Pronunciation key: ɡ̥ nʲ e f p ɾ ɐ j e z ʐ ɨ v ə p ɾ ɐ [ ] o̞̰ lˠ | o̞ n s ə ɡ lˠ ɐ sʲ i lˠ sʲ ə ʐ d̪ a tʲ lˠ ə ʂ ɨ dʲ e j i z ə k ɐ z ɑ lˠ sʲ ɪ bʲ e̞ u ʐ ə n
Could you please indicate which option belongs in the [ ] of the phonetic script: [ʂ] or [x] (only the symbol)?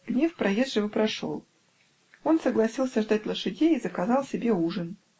ʂ